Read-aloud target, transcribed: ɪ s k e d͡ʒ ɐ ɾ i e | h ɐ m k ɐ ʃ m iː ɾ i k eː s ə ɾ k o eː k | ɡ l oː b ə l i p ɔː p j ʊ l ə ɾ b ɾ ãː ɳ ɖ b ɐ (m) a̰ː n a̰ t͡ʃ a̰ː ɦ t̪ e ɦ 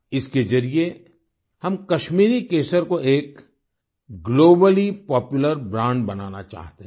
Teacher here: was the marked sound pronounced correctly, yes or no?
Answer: no